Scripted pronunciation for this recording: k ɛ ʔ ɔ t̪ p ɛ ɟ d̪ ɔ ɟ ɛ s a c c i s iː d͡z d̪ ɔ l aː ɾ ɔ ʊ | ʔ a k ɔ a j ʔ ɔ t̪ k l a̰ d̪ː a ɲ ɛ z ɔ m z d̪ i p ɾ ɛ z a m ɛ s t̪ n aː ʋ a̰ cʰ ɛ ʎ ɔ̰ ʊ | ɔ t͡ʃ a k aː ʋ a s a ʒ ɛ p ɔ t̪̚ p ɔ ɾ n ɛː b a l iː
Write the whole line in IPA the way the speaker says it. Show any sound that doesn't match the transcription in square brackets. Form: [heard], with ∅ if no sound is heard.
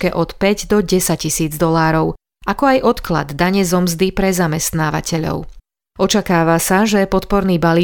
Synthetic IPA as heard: k ɛ ʔ ɔ t̪ p ɛ ɟ d̪ ɔ ɟ ɛ s a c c i s iː d͡z d̪ ɔ l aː ɾ ɔ ʊ | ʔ a k ɔ a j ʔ ɔ t̪ k l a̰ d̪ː a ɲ ɛ z ɔ m z d̪ i p ɾ ɛ z a m ɛ s t̪ n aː ʋ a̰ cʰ ɛ ʎ ɔ̰ ʊ | ɔ t͡ʃ a k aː ʋ a s a ʒ ɛ p ɔ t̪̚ p ɔ ɾ n [iː] b a l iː